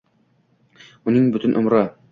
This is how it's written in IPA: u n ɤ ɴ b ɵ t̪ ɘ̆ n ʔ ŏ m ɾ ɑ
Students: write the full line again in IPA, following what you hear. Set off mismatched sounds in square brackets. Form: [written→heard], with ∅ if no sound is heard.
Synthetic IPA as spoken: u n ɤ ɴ b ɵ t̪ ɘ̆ n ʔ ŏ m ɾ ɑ